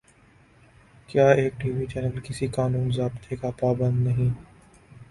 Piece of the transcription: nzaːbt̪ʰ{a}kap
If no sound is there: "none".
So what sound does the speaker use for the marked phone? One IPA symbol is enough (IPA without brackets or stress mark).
e